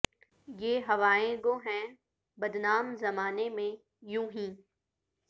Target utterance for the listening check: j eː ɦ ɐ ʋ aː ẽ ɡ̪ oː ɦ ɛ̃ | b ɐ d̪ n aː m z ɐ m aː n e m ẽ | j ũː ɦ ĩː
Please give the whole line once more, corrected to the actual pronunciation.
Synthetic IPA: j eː ɦ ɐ ʋ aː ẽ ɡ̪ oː ɦ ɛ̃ | b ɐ d̪ n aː m z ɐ m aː n e m ẽ | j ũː ɦ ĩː